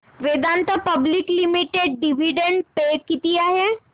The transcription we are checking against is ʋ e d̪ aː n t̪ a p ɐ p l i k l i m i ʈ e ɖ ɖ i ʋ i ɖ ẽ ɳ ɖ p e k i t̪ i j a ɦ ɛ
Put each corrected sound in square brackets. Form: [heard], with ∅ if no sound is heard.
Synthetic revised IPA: ʋ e d̪ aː n t̪ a p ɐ [b] l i k l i m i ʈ e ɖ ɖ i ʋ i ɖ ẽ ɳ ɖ p e k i t̪ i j a ɦ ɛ